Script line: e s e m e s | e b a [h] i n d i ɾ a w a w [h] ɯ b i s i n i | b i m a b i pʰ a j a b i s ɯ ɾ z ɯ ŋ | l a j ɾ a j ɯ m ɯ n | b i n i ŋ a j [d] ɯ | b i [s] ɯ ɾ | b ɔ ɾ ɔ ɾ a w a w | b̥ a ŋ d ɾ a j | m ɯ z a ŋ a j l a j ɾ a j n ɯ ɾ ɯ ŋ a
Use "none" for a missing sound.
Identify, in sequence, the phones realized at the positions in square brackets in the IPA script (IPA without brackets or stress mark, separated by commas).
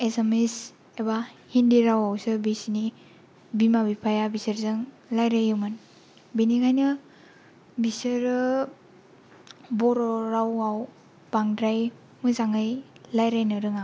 h, s, n, s